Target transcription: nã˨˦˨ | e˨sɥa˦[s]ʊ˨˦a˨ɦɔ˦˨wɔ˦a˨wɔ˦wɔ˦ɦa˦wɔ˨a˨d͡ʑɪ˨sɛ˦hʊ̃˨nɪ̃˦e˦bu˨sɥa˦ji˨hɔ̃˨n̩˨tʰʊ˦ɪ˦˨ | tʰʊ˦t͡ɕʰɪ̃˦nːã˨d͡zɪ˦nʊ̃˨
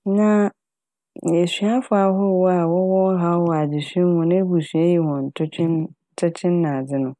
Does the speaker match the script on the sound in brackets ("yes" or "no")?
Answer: no